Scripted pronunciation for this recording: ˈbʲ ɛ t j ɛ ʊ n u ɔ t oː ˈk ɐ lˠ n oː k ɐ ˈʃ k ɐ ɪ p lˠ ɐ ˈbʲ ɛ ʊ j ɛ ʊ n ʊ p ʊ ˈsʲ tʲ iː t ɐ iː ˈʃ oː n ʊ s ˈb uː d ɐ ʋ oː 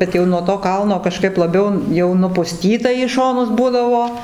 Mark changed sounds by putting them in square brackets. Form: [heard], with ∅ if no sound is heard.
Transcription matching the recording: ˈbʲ ɛ t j ɛ ʊ n u ɔ t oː ˈk ɐ lˠ n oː k ɐ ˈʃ k ɐ ɪ p lˠ ɐ ˈbʲ ɛ ʊ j ɛ ʊ n ʊ p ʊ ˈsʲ tʲ iː t ɐ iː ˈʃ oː n ʊ s ˈb uː d ɐ ʋ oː